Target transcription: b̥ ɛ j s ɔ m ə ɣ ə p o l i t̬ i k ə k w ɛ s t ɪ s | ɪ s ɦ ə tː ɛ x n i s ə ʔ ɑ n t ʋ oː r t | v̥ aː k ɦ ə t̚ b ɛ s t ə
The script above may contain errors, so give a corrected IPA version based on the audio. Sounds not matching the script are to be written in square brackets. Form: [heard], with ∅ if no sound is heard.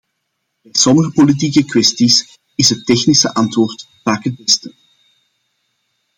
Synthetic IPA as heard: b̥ ɛ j s ɔ m ə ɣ ə p o l i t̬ i k ə k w ɛ s t [i] s | ɪ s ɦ ə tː ɛ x n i s ə ʔ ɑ n t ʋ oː r t | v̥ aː k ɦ ə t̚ b ɛ s t ə